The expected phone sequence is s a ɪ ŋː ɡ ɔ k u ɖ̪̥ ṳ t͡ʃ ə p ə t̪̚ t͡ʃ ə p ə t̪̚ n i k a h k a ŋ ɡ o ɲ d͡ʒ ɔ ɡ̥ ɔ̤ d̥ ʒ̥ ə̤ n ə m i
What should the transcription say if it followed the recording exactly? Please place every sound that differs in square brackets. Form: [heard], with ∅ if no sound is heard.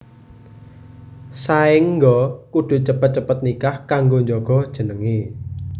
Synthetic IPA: s a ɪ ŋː ɡ ɔ k u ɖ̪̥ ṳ t͡ʃ ə p ə t̪̚ t͡ʃ ə p ə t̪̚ n i k a h k a ŋ ɡ o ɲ d͡ʒ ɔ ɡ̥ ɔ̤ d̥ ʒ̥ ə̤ n ə [ŋ] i